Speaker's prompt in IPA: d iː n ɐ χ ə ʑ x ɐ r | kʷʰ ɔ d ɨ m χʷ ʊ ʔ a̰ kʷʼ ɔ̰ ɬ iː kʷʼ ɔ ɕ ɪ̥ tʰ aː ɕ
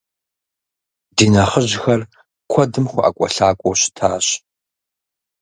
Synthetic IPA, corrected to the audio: d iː n ɐ χ ə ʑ x ɐ r | kʷʰ ɔ d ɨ m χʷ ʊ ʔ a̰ kʷʼ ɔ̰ ɬ aː kʷʼ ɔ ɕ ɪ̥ tʰ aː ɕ